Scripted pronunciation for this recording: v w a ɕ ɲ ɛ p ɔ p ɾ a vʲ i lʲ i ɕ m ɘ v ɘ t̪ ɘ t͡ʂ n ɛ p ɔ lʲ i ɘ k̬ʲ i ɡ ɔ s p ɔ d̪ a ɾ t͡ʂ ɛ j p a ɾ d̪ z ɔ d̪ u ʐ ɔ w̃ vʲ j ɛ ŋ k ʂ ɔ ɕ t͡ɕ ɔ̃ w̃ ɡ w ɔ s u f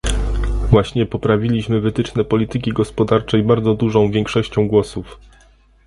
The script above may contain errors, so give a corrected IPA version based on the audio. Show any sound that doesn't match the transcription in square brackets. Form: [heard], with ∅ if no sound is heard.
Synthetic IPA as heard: v w a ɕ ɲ ɛ p ɔ p ɾ a vʲ i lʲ i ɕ m ɘ v ɘ t̪ ɘ t͡ʂ n ɛ p ɔ lʲ i ɘ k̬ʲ i ɡ ɔ s p ɔ d̪ a ɾ t͡ʂ ɛ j [b] a ɾ d̪ z ɔ d̪ u ʐ [ɔ̃] w̃ vʲ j ɛ ŋ k ʂ ɔ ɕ t͡ɕ ɔ̃ w̃ ɡ w ɔ s u f